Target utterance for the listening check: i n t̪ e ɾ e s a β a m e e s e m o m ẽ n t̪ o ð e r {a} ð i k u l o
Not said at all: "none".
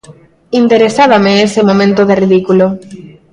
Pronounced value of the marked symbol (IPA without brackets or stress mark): i